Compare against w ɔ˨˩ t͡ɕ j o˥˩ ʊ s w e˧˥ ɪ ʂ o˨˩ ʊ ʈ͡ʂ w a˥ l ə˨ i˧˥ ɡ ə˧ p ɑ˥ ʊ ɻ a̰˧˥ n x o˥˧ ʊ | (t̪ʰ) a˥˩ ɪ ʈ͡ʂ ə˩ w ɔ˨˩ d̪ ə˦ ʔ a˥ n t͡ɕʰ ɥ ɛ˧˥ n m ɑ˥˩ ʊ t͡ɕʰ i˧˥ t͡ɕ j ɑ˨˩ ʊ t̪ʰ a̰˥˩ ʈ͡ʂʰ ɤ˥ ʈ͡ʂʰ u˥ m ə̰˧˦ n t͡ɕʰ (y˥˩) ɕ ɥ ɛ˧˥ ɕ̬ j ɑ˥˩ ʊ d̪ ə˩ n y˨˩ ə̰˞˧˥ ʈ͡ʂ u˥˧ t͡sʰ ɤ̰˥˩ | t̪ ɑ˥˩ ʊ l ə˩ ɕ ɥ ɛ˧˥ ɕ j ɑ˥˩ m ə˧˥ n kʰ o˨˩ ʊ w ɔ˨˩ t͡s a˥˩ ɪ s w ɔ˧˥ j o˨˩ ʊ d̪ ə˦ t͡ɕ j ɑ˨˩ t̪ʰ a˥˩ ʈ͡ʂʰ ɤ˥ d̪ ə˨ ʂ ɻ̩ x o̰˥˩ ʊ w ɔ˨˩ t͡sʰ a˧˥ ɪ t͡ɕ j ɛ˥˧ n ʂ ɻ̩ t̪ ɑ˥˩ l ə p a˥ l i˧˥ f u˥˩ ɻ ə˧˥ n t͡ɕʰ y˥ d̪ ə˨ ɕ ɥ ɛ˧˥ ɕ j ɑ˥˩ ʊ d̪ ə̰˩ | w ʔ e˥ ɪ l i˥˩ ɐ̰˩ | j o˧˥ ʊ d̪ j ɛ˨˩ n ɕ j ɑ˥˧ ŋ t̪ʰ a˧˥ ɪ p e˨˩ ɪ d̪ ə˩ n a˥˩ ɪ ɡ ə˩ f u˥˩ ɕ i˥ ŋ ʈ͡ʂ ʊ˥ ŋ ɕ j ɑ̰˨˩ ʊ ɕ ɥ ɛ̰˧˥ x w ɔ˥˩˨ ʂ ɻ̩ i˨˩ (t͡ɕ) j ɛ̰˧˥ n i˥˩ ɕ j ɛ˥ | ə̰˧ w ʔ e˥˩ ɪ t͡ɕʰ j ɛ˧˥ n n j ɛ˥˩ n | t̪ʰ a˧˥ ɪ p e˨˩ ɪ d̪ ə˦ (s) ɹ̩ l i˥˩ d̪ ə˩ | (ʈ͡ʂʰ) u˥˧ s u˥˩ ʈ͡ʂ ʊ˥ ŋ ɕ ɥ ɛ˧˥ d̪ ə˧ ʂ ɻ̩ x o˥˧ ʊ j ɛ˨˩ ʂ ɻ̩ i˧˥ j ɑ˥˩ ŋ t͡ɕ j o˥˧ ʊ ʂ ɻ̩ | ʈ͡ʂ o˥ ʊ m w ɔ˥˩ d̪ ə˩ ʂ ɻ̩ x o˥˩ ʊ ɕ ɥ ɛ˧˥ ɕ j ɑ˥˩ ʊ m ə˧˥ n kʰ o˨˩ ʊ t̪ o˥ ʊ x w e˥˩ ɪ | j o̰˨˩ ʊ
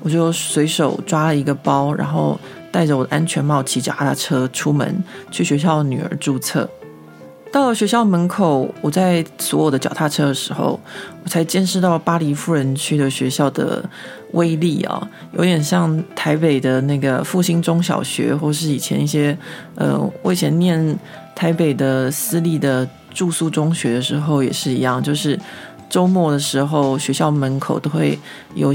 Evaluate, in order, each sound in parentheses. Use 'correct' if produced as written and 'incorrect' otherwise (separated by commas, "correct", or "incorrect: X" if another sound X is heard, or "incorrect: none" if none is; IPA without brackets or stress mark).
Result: incorrect: t̪, correct, incorrect: t͡ɕʰ, correct, incorrect: ʈ͡ʂ